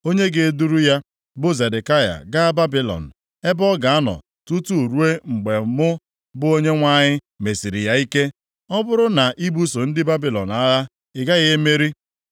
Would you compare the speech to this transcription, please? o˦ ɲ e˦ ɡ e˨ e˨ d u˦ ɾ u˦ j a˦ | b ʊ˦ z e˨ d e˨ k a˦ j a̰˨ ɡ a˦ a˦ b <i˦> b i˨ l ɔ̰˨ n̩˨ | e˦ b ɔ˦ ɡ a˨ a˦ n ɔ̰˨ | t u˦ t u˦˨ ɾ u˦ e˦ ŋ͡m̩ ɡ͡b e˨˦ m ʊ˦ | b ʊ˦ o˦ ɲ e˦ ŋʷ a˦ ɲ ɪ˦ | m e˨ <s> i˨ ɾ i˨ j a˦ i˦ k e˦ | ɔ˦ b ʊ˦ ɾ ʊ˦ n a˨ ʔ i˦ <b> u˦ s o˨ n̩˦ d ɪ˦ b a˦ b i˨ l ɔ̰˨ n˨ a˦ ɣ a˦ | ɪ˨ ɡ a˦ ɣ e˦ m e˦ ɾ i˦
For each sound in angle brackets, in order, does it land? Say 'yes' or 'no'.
no, yes, yes

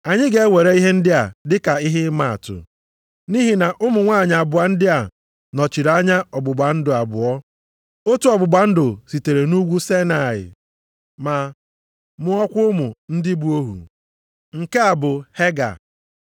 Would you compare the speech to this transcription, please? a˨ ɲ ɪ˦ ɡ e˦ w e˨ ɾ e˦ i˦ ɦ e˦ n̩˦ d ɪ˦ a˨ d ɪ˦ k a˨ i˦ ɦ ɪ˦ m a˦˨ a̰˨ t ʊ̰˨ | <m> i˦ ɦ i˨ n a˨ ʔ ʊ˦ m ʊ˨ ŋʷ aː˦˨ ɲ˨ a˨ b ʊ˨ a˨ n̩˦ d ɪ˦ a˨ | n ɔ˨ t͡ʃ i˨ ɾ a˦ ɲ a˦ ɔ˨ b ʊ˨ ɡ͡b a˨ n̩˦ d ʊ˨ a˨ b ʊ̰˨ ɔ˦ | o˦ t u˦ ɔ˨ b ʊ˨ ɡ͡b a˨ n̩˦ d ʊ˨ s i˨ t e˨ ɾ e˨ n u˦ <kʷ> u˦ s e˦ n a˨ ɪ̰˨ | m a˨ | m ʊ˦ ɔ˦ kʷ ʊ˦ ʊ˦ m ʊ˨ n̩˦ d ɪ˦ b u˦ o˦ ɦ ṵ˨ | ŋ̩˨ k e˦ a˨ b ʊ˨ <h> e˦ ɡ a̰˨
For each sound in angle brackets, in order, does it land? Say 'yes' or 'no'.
no, no, yes

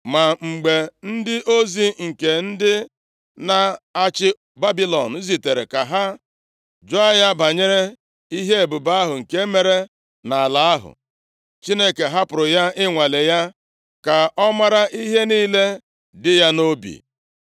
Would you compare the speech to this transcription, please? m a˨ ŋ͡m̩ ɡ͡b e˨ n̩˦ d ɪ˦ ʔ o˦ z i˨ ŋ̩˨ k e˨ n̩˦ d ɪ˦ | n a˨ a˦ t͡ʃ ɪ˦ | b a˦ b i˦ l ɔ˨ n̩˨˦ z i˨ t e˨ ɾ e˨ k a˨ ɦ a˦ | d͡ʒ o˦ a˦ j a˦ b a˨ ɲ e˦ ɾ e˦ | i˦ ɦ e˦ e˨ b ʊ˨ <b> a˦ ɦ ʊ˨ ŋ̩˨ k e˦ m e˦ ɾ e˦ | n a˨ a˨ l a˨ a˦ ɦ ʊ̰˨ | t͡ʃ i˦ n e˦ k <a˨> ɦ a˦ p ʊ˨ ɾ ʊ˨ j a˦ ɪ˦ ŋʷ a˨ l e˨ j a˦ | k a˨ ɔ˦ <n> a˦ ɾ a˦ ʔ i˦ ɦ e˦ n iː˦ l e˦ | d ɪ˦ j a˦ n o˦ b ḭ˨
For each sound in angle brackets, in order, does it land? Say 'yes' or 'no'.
yes, no, no

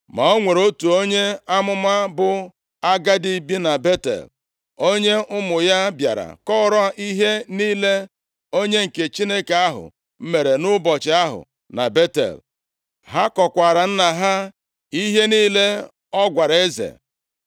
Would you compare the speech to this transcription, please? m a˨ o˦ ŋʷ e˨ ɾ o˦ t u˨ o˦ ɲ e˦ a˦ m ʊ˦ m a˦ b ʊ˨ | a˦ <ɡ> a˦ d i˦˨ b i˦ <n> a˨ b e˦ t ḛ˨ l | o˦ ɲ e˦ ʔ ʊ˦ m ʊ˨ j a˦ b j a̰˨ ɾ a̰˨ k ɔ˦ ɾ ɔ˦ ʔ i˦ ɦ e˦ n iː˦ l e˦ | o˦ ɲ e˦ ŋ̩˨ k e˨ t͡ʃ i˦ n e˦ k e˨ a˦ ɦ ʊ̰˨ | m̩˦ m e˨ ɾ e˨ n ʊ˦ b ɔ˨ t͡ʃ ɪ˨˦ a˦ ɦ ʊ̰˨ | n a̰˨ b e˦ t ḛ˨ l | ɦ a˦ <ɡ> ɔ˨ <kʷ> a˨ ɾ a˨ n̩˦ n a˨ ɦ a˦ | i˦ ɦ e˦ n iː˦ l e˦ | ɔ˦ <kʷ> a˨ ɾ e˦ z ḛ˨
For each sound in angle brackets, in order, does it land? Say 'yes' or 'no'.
yes, yes, no, yes, no

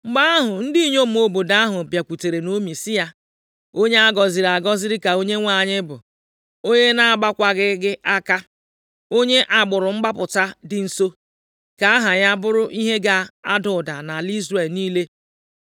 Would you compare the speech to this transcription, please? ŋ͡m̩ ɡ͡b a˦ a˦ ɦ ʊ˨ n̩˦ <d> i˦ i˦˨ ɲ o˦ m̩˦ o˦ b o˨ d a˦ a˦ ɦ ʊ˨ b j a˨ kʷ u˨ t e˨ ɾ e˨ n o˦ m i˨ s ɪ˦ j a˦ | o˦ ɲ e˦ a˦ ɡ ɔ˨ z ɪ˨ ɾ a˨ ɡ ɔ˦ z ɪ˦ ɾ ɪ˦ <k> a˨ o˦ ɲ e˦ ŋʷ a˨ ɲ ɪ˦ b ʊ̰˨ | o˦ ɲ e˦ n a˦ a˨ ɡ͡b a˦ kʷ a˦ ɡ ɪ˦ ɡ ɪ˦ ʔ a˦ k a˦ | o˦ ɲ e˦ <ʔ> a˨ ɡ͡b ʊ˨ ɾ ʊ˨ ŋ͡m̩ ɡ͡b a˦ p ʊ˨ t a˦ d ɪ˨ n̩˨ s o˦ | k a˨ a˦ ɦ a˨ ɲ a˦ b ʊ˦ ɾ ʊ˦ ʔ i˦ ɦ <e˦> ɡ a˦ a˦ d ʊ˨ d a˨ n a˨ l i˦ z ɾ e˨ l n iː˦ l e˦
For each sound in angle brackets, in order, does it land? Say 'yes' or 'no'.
yes, yes, yes, yes

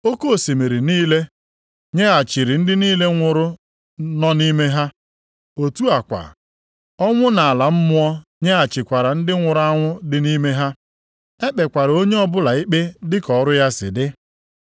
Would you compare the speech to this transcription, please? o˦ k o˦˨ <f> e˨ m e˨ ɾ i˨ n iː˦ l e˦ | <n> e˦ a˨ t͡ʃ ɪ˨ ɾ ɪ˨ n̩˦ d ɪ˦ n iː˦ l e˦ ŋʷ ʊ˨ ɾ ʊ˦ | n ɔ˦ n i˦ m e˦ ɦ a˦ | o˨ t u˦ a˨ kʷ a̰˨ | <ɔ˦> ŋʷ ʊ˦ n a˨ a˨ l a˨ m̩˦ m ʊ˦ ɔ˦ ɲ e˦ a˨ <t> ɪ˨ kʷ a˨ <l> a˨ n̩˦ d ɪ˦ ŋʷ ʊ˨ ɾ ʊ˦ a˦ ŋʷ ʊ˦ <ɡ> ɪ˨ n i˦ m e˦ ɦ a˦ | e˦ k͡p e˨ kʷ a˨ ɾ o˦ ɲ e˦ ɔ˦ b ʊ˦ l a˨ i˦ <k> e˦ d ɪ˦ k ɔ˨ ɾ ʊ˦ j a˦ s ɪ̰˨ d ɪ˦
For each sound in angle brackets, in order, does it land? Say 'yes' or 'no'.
no, no, yes, no, no, no, no

